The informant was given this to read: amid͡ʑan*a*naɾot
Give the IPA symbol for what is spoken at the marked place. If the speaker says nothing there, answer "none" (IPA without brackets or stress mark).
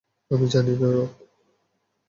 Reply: i